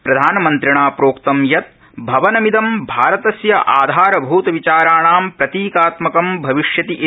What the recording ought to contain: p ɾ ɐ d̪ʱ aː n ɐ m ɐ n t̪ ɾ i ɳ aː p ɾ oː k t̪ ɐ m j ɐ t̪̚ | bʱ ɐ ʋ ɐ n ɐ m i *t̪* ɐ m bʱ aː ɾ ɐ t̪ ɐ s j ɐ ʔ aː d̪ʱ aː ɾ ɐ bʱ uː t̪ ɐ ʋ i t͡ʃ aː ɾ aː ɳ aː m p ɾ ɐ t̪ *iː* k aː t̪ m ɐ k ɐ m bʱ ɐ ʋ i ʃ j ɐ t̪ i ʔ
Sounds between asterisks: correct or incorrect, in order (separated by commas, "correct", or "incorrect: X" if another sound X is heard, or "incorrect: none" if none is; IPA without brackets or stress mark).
incorrect: d̪, correct